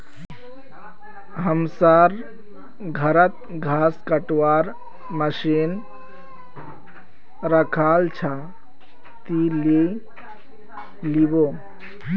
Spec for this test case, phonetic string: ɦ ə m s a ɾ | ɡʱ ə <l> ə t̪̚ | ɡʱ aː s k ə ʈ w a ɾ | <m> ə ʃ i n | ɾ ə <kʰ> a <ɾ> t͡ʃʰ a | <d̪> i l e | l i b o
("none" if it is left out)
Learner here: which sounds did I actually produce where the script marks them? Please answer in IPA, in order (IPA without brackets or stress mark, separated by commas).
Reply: ɾ, m, kʰ, l, t̪